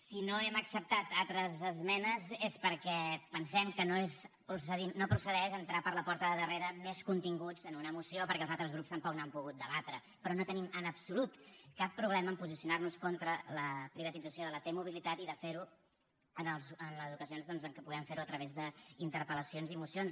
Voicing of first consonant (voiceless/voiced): voiceless